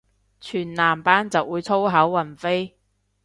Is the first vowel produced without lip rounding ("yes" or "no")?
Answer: no